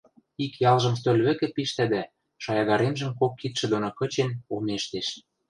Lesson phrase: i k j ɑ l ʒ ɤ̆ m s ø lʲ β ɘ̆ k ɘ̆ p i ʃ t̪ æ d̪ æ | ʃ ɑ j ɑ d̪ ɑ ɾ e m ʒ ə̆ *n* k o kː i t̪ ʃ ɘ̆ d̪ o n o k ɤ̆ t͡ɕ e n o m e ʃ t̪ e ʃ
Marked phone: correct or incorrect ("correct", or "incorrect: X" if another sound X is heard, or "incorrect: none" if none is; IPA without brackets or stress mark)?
incorrect: m